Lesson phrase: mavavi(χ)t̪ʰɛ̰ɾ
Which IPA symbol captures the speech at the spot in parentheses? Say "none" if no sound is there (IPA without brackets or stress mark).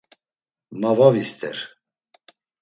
s